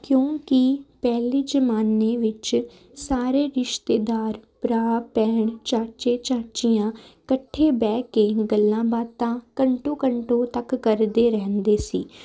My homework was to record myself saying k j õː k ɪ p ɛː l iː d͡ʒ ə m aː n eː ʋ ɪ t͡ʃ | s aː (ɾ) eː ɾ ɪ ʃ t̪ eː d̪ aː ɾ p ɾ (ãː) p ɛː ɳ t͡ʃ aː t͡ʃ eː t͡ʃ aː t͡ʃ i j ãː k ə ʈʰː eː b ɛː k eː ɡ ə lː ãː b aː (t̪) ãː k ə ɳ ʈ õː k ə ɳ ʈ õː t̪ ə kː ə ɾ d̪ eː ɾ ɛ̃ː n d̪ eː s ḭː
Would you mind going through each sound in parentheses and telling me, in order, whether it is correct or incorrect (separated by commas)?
correct, incorrect, correct